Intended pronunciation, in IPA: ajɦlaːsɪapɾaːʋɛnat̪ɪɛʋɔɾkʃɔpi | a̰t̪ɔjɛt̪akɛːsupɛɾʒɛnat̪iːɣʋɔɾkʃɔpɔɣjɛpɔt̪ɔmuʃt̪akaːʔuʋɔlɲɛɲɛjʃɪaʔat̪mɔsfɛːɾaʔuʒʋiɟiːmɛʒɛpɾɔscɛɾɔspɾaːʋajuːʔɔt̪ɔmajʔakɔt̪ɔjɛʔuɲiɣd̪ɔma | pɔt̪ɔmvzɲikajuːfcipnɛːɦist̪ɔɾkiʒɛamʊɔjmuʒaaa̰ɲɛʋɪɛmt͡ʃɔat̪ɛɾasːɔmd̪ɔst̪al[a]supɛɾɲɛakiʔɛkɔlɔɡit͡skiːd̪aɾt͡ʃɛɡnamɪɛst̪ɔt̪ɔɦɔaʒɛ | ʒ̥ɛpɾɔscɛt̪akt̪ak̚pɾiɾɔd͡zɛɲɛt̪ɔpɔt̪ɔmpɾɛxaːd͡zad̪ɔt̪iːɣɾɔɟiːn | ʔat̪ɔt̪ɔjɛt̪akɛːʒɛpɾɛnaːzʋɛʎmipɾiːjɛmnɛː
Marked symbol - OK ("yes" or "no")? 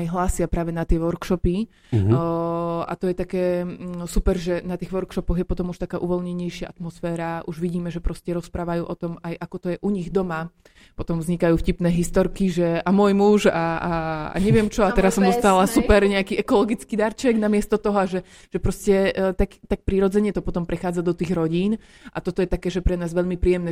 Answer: yes